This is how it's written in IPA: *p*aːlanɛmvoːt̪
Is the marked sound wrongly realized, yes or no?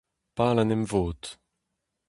no